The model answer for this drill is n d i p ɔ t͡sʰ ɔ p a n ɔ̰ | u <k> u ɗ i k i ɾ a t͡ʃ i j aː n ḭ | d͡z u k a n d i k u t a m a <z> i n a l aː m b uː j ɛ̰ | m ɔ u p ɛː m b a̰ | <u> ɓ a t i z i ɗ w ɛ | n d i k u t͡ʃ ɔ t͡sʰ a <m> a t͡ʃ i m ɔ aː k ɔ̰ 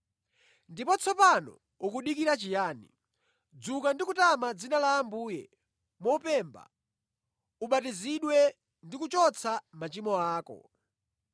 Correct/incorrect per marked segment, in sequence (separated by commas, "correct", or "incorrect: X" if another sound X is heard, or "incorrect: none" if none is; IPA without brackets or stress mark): correct, incorrect: d͡z, correct, correct